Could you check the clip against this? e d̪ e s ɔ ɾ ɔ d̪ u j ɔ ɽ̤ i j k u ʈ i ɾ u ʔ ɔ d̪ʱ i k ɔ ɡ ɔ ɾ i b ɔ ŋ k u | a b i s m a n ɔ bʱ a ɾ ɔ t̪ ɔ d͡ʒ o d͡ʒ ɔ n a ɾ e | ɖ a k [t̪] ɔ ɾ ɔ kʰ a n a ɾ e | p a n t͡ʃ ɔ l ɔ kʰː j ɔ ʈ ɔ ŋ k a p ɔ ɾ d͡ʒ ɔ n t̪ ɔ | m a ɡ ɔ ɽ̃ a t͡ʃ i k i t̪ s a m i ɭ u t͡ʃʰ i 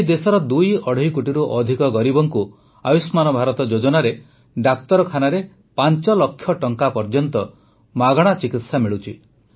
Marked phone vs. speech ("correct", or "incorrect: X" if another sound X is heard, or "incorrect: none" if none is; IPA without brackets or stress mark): correct